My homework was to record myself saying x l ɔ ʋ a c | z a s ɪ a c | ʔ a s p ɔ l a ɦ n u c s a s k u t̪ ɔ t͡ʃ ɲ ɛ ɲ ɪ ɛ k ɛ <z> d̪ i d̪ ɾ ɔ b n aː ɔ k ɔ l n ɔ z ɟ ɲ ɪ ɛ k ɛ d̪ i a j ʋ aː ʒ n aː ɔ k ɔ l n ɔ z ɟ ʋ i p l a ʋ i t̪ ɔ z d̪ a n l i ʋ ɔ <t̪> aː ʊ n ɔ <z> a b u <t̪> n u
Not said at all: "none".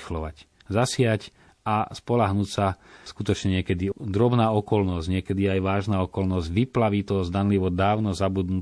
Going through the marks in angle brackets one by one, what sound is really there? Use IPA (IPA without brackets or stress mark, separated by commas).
none, d̪, z, d̪